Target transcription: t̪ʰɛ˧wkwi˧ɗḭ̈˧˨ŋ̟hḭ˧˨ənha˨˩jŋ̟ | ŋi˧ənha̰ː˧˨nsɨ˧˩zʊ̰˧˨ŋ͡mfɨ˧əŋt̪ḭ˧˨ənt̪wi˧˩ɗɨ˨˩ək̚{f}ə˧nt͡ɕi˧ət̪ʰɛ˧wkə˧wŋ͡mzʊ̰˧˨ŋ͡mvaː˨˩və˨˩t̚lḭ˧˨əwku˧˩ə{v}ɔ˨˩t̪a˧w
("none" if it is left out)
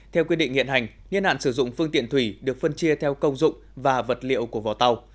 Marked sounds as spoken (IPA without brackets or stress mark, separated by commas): f, v